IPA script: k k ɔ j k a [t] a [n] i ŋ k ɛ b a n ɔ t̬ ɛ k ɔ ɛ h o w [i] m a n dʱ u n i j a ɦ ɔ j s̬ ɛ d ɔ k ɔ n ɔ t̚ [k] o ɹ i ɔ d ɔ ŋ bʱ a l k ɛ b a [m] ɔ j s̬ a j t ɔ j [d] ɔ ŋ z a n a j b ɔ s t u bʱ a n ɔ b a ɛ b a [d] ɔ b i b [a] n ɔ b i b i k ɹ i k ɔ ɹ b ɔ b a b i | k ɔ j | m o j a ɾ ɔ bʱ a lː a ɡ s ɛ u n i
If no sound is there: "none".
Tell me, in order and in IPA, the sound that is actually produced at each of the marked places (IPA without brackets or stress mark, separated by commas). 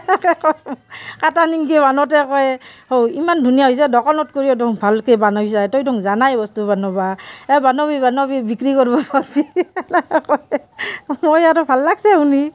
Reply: t, n, i, k, n, d, n, a